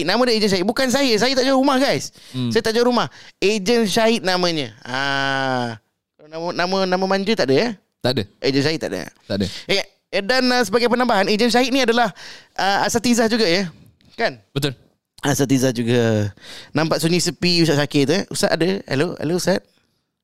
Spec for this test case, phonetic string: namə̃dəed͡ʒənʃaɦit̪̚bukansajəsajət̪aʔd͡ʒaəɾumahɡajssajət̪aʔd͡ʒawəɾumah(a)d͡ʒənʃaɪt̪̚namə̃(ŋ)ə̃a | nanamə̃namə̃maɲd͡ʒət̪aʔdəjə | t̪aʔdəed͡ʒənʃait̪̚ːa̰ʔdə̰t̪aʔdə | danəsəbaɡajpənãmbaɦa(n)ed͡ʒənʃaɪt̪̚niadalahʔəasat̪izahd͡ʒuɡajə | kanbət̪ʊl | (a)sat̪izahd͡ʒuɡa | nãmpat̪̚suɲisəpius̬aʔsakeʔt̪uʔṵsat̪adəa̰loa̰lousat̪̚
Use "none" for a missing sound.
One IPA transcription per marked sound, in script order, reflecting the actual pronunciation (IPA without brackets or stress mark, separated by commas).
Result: e, ɲ, n, a